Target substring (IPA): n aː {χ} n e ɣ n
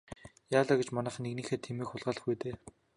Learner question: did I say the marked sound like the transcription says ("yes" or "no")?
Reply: yes